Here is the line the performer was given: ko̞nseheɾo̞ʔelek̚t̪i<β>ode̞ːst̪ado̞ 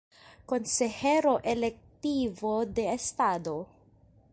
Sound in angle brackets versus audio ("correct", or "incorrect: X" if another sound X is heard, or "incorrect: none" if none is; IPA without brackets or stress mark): incorrect: v